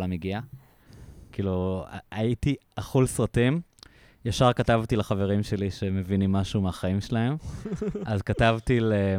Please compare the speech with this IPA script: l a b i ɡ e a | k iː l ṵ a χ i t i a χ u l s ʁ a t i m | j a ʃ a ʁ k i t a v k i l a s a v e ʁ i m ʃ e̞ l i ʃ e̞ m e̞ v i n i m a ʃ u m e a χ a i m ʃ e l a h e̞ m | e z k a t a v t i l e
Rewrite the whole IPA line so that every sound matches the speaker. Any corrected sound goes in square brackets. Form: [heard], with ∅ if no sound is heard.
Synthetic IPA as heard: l a [m] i ɡ [i] a | k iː l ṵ a [∅] i t i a χ u l s ʁ a t i m | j a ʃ a ʁ k [a] t a v [t] i l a [χ] a v e ʁ i m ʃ e̞ l i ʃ e̞ m e̞ v i n i m a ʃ u m e a χ a i m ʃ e l a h e̞ m | [a] z k a t a v t i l e